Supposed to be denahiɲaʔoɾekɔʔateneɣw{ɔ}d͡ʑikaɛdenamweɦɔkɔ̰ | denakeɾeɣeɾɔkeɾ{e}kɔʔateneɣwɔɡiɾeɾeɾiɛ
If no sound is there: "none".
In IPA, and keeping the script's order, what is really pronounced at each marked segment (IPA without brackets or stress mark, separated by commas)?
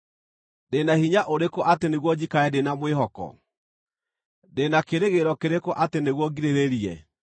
ɔ, e